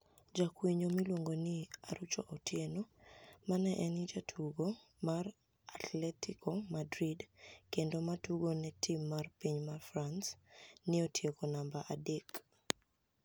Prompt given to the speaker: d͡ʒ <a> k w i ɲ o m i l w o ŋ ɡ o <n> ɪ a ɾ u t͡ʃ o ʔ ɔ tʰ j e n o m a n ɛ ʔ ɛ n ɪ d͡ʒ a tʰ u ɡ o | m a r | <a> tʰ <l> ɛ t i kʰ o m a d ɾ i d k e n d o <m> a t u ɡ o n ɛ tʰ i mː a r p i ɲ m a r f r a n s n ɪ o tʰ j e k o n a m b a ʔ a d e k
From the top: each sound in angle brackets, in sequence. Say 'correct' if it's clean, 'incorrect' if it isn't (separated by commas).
correct, correct, correct, correct, correct